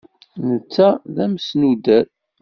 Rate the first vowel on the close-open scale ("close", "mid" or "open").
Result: mid